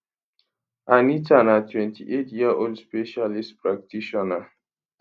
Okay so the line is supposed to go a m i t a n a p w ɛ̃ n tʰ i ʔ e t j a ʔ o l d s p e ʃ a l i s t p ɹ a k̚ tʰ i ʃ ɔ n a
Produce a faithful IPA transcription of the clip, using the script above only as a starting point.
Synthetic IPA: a n i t a n a t w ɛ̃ n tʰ i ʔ e t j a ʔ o l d s p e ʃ a l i s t p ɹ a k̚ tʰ i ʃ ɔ n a